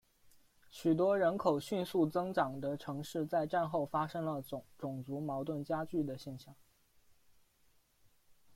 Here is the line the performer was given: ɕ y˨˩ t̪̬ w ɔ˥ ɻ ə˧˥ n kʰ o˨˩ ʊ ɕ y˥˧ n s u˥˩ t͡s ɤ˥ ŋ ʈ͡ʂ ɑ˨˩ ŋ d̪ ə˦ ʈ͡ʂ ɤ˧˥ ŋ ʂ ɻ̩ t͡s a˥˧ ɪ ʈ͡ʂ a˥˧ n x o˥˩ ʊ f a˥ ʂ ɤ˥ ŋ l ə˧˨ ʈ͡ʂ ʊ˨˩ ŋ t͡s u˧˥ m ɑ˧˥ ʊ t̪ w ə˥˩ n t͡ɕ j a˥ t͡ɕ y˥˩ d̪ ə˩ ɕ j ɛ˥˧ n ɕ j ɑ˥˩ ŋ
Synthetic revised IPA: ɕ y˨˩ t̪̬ w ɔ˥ ɻ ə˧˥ n kʰ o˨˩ ʊ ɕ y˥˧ n s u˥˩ t͡s ɤ˥ ŋ ʈ͡ʂ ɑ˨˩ ŋ d̪ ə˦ ʈ͡ʂʰ ɤ˧˥ ŋ ʂ ɻ̩ t͡s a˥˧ ɪ ʈ͡ʂ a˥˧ n x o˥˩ ʊ f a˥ ʂ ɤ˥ ŋ l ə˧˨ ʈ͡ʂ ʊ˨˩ ŋ t͡s u˧˥ m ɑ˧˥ ʊ t̪ w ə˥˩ n t͡ɕ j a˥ t͡ɕ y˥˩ d̪ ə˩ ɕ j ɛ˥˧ n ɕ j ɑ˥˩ ŋ